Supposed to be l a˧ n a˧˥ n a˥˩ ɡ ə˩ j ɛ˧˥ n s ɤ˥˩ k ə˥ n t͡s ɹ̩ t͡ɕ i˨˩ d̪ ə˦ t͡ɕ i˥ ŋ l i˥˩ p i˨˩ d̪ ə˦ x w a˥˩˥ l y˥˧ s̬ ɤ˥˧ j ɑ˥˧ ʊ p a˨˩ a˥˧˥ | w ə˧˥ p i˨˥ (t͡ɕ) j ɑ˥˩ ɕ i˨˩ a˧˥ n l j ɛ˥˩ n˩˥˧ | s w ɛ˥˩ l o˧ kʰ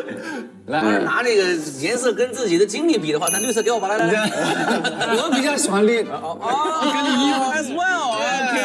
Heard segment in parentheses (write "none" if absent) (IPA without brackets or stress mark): t͡ɕ